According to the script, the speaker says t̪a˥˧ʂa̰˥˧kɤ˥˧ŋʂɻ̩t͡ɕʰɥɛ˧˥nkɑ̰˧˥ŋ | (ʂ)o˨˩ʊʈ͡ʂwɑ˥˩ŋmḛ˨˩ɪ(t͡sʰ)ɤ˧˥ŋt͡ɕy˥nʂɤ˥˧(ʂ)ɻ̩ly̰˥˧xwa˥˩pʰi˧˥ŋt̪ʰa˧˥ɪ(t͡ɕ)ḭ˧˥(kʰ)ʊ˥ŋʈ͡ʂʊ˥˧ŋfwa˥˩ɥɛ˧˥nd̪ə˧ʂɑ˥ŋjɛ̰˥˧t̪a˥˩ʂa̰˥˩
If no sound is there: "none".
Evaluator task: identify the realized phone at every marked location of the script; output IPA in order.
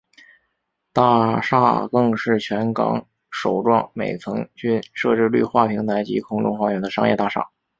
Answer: ʂ, t͡sʰ, ʈ͡ʂ, t͡ɕ, kʰ

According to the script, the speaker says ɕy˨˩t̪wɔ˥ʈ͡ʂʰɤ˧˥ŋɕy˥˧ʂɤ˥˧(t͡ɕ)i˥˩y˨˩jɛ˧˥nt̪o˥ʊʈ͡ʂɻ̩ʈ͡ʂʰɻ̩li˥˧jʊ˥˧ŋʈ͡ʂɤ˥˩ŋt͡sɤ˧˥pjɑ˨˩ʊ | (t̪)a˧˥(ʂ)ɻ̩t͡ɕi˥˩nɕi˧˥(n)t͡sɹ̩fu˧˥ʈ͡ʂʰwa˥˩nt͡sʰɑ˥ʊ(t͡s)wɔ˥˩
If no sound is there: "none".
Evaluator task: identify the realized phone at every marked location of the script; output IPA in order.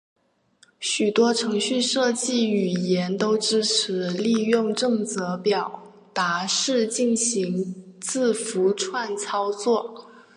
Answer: t͡ɕ, t̪, ʂ, ŋ, t͡s

